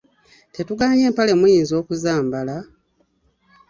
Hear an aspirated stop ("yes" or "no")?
no